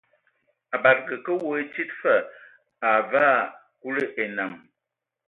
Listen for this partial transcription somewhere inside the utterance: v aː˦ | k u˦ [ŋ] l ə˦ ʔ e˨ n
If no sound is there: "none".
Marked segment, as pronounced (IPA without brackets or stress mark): none